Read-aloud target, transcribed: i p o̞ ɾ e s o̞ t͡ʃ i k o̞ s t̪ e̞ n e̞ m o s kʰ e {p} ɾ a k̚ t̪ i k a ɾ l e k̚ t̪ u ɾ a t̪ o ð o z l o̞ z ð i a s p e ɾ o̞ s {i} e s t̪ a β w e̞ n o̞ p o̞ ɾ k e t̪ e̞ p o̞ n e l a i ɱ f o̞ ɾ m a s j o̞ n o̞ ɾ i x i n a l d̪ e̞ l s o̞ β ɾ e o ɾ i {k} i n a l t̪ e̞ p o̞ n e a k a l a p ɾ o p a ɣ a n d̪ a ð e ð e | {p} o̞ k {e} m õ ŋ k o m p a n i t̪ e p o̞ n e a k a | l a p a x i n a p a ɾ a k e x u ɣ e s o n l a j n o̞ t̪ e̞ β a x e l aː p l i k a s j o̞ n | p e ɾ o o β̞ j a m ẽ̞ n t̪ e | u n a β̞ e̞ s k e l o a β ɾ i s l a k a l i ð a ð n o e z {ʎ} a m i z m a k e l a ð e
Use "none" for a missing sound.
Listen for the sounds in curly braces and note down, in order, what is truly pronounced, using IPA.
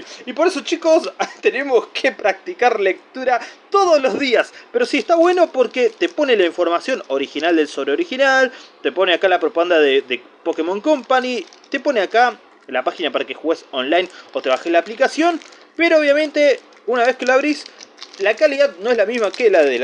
p, i, x, p, e, l

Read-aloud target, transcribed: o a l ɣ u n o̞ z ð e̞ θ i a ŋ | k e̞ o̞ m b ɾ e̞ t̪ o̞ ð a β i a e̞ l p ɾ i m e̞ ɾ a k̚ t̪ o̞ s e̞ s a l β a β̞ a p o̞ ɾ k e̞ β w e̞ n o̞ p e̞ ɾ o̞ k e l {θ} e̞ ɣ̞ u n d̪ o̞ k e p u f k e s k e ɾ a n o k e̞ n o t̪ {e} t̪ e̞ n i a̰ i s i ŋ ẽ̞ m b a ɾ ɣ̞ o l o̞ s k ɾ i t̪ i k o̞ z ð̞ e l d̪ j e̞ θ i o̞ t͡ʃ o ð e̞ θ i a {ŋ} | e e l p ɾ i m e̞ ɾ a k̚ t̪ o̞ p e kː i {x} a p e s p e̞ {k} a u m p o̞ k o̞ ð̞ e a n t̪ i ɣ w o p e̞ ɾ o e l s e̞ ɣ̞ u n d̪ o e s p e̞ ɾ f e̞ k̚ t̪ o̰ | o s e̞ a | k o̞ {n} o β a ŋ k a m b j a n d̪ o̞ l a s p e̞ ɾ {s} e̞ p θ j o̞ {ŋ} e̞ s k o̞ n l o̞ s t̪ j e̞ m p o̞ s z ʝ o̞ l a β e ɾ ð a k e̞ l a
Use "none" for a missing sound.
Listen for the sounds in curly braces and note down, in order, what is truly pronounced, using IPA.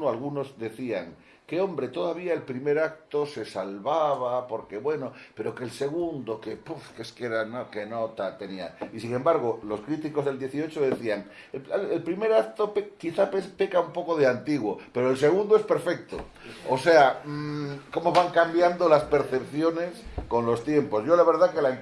s, a, ŋ, θ, k, m, θ, n

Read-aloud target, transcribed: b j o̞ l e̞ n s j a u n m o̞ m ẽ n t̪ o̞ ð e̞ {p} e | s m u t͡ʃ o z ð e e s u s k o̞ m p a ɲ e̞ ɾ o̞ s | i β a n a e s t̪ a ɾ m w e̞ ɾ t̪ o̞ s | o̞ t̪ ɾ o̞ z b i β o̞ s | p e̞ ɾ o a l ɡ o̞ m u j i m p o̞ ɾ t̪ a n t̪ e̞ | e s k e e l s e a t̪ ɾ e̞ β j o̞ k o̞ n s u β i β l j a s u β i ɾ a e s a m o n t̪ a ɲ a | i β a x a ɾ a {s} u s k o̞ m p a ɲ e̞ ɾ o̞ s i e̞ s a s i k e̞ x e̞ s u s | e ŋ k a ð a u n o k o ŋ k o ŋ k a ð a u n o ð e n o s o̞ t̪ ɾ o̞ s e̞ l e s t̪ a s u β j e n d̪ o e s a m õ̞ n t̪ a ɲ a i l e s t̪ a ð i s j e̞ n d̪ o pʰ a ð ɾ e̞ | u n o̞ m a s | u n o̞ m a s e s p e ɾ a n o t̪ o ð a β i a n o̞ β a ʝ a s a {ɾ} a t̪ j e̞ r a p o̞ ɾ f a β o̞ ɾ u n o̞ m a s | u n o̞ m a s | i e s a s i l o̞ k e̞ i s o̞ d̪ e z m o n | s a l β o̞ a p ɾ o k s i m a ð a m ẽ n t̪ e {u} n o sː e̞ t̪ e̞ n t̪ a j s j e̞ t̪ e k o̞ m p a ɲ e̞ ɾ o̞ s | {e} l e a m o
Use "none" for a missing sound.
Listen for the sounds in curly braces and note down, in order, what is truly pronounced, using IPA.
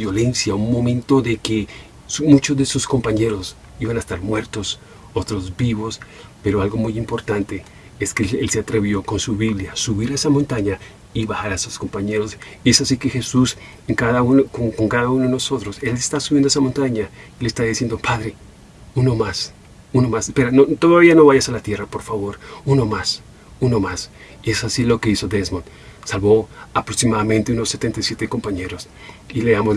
k, s, l, u, i

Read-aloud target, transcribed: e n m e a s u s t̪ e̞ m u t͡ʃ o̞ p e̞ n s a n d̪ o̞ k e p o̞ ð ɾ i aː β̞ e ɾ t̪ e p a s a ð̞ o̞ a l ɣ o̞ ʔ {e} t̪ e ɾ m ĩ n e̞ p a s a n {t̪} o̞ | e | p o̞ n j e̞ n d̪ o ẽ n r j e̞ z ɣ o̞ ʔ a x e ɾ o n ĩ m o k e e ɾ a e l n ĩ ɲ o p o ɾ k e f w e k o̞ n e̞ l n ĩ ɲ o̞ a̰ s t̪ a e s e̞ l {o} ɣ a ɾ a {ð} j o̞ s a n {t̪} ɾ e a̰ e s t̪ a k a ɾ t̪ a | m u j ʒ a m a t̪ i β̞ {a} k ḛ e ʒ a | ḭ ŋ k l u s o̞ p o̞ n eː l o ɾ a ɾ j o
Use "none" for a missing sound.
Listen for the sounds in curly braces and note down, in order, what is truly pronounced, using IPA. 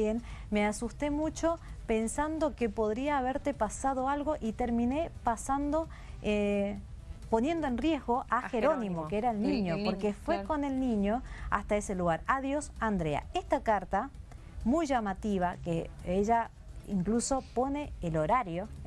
i, d̪, u, ð, d̪, a

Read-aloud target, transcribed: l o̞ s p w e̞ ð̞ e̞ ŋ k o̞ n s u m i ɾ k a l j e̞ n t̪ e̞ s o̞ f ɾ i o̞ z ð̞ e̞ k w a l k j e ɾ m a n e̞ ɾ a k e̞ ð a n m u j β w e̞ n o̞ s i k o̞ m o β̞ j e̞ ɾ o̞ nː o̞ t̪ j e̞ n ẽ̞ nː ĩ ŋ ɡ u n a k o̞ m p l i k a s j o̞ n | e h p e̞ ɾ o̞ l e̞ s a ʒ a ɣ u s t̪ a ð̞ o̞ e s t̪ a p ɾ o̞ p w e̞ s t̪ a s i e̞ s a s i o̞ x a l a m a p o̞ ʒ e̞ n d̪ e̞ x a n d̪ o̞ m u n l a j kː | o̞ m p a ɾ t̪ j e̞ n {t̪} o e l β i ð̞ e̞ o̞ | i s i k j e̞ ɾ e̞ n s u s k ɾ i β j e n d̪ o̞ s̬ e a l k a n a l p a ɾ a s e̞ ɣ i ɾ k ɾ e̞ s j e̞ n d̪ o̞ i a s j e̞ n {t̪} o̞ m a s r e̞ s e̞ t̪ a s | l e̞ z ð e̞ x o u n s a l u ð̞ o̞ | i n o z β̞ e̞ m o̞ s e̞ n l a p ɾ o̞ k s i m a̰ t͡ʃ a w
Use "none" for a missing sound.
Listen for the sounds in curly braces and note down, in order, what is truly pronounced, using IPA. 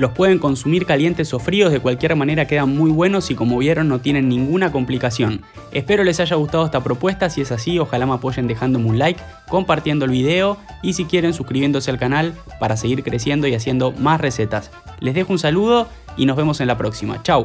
d̪, d̪

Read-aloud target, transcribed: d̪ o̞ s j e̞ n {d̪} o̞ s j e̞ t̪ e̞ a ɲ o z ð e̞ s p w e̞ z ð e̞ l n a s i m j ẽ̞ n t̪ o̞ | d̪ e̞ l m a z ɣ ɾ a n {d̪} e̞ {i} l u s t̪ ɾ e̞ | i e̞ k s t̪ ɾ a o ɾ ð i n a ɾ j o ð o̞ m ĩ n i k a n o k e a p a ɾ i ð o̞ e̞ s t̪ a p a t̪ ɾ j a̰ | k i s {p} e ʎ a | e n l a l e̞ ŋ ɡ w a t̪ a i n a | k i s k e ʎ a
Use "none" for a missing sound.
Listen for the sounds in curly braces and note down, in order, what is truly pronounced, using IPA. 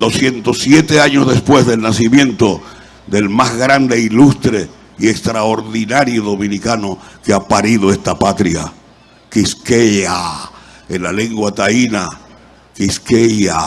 t̪, d̪, i, k

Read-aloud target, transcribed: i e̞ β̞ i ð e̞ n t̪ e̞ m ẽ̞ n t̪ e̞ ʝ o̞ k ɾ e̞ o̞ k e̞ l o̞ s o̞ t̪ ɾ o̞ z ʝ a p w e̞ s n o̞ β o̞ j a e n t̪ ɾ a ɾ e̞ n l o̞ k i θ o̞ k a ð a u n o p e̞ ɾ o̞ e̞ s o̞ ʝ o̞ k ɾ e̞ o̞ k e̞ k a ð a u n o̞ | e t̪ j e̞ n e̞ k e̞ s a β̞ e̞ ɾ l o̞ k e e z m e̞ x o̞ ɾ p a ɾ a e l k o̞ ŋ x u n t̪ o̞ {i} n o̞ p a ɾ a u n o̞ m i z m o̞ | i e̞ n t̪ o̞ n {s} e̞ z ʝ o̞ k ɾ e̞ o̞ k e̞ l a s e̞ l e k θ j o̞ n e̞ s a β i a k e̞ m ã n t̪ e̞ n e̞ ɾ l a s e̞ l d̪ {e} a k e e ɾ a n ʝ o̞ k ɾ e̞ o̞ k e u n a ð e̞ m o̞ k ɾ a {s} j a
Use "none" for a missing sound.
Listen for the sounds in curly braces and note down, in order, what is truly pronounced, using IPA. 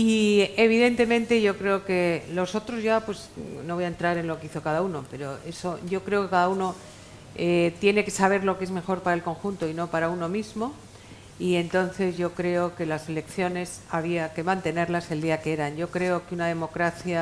i, θ, i, θ

